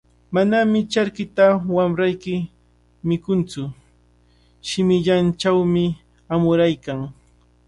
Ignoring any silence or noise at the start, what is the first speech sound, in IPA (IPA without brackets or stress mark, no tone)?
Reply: m